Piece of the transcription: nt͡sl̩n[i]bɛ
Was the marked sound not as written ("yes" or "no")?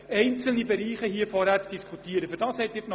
no